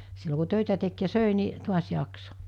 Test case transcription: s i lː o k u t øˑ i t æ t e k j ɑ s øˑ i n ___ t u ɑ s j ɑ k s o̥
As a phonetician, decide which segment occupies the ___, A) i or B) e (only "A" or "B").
A